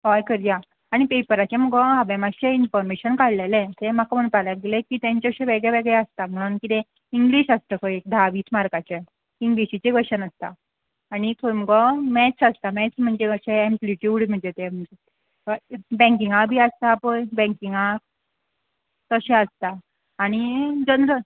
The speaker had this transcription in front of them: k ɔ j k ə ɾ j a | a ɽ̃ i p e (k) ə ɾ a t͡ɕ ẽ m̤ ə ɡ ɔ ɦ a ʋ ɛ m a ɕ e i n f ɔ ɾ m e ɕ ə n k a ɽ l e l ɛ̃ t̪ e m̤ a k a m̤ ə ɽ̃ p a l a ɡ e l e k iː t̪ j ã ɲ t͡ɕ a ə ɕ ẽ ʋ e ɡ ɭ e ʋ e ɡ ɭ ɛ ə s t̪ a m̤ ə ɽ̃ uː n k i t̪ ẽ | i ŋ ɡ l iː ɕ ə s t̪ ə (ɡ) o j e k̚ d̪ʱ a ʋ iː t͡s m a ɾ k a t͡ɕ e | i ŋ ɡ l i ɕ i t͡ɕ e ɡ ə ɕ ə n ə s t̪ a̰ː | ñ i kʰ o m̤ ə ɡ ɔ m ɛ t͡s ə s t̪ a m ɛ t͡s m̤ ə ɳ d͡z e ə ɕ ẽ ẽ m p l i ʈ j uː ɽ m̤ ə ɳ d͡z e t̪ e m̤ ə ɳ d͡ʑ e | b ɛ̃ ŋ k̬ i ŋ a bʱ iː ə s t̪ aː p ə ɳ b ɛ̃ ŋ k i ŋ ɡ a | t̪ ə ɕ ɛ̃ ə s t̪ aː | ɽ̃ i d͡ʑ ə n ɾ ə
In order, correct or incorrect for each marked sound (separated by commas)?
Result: incorrect, incorrect